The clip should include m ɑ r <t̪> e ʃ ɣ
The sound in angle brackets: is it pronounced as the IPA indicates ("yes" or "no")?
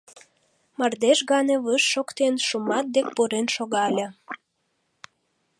no